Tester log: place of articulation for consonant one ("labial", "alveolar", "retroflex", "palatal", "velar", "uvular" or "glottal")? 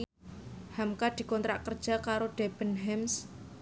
glottal